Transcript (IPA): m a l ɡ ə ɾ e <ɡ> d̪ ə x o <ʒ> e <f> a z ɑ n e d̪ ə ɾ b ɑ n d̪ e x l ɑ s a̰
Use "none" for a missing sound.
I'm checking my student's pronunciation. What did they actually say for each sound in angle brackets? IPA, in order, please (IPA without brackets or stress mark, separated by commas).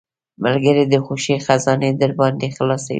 none, ʃ, x